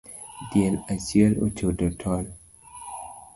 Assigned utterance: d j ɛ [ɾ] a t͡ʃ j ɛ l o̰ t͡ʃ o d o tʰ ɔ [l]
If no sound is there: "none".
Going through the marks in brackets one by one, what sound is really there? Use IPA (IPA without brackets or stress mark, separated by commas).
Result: l, l